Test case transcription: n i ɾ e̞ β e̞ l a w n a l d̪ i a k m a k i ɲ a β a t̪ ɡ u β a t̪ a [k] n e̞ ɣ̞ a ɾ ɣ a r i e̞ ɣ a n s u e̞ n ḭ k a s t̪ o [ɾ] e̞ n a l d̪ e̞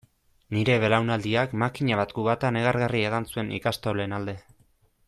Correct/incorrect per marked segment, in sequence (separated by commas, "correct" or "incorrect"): incorrect, incorrect